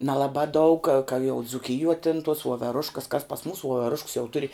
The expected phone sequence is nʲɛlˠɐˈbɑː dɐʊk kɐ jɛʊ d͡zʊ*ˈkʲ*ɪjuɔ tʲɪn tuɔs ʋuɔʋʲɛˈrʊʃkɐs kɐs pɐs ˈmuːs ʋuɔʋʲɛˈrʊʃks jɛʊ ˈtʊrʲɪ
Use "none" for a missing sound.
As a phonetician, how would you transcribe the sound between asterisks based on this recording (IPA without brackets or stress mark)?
kʲ